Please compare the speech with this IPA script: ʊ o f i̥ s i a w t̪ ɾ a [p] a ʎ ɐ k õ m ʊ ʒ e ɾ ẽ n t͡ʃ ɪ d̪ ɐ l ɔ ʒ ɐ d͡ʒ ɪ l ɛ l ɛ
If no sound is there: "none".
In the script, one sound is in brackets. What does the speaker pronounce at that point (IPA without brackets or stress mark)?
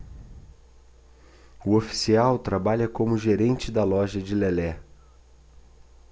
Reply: b